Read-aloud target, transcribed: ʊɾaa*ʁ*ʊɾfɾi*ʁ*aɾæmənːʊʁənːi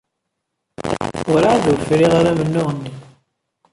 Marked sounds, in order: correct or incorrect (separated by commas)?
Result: incorrect, correct